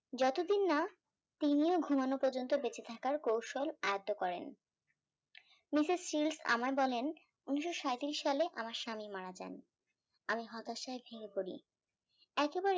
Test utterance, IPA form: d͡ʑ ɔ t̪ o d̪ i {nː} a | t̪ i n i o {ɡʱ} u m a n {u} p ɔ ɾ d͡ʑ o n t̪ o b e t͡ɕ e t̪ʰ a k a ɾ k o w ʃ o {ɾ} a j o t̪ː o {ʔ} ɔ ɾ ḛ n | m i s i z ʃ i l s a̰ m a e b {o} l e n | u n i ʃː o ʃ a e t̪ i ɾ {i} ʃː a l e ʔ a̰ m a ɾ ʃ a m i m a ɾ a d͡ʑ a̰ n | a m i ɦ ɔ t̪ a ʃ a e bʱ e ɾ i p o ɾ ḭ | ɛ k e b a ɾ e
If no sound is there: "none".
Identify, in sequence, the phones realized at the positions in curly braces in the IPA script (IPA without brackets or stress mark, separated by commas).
nː, ɡʱ, o, l, k, ɔ, i